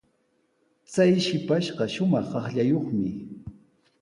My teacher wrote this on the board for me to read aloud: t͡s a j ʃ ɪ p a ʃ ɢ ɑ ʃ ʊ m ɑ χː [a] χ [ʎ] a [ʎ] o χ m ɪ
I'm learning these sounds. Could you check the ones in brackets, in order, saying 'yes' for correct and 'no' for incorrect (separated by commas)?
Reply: no, yes, no